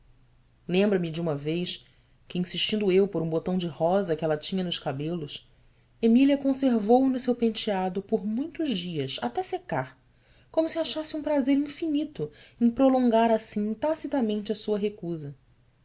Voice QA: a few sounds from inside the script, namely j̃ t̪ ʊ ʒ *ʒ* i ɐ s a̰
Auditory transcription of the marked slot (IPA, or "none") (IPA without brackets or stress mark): d͡ʒ